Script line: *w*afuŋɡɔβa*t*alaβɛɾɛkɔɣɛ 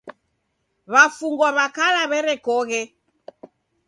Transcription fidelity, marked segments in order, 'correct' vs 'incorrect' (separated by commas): incorrect, incorrect